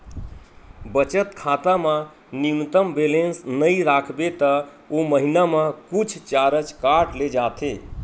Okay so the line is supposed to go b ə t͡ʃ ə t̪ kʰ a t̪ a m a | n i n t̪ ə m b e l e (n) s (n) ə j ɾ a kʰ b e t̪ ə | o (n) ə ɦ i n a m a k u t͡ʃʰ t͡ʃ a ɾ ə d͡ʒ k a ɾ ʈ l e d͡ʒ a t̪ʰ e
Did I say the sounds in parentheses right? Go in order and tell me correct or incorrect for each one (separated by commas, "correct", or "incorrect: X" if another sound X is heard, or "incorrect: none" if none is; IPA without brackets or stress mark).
correct, correct, incorrect: m